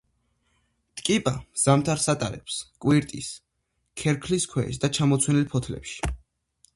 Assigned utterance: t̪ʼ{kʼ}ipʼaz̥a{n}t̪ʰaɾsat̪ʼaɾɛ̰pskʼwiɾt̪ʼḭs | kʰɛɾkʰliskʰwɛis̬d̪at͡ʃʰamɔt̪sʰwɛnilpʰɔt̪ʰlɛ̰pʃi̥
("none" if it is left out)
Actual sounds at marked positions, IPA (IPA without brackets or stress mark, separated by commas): kʼ, m